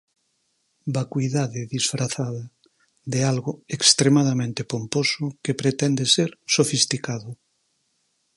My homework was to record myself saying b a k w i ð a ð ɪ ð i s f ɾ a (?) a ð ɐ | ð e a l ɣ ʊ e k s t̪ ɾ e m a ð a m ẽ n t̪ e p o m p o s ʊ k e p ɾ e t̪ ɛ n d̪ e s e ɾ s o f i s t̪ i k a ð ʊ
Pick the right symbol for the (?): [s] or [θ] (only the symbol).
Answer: θ